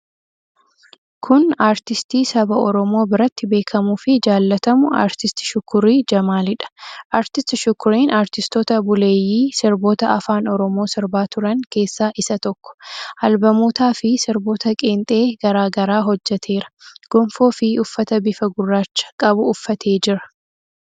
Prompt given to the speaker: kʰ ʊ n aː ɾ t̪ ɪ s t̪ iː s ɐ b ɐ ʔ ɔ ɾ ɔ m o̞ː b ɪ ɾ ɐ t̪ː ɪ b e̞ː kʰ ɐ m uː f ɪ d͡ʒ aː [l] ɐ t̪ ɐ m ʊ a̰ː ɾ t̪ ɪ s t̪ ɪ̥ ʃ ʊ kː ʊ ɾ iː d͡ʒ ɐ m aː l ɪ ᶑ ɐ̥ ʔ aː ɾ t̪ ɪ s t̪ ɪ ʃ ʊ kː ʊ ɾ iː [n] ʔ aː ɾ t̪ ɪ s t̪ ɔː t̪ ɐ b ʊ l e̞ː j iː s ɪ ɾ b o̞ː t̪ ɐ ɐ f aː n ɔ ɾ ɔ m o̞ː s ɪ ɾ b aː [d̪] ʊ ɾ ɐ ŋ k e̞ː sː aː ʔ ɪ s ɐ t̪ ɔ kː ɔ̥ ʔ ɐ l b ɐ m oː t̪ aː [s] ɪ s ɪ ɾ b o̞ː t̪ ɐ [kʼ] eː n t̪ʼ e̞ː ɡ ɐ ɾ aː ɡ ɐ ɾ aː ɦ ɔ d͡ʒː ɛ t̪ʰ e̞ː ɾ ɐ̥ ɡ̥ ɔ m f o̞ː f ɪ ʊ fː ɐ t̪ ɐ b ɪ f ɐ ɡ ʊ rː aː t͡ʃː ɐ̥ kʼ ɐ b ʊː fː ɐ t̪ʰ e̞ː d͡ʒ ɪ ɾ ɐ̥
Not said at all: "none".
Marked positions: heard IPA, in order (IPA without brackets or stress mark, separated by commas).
lː, n, t̪, f, kʼ